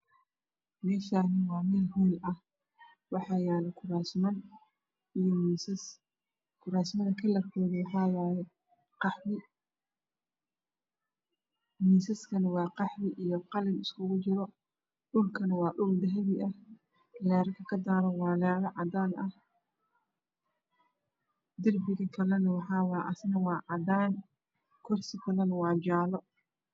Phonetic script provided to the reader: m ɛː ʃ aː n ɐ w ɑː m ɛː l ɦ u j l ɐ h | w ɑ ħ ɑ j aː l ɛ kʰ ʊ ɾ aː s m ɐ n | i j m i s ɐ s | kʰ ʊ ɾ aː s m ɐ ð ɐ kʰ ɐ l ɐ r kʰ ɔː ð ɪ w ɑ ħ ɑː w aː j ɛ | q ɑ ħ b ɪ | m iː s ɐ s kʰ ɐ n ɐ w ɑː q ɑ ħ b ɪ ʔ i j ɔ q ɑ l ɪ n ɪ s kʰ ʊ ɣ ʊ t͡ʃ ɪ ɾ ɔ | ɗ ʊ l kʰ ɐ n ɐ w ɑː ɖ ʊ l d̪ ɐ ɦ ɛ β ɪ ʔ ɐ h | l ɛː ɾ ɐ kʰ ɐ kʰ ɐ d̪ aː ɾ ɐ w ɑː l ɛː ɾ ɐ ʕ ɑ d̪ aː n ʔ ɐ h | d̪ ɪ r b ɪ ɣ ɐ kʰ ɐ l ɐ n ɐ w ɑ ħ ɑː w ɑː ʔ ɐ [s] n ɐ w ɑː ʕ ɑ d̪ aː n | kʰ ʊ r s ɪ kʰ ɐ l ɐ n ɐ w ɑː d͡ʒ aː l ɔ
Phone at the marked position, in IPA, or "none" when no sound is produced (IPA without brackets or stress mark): s